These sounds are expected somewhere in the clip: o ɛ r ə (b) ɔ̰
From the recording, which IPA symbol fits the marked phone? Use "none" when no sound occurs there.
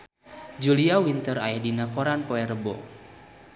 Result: b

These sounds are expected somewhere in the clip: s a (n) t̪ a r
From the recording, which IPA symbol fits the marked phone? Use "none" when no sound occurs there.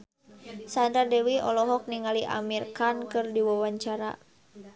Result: n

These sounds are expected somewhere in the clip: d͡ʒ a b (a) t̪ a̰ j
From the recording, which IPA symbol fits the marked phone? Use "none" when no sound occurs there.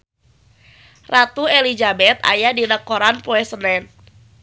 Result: ɛ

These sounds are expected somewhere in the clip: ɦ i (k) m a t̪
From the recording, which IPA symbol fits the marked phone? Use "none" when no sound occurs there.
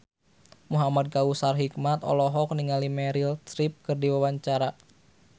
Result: k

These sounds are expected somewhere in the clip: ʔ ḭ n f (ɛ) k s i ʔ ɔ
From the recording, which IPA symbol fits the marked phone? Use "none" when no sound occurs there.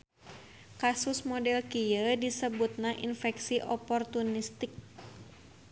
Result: ɛ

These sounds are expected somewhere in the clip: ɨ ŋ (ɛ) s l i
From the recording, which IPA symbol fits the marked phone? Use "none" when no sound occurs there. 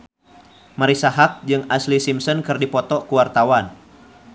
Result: a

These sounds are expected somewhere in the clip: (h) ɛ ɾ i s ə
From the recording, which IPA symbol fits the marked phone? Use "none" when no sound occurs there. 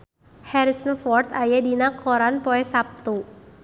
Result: h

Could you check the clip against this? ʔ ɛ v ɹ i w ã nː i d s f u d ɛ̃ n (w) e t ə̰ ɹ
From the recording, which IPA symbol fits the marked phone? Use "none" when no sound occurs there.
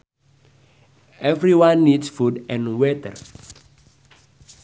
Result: w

